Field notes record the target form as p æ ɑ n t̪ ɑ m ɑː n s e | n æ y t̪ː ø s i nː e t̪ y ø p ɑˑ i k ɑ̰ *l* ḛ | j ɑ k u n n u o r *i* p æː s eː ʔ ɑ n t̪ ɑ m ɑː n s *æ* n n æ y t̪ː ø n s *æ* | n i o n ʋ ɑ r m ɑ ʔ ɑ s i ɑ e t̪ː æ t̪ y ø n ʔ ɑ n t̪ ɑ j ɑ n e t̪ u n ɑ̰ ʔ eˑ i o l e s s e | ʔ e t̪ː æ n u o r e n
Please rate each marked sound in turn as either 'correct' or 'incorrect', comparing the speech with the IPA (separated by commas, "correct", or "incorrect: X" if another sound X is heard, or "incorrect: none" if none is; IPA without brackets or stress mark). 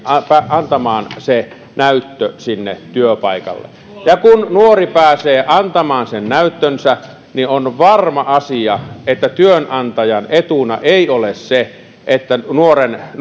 incorrect: lː, correct, incorrect: e, correct